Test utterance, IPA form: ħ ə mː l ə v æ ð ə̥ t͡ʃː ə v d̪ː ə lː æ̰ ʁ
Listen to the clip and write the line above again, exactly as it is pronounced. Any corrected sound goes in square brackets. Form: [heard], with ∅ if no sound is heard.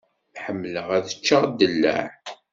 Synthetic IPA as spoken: ħ ə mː l ə [ʁ] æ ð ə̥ t͡ʃː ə [ʁ] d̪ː ə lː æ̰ [ʕ]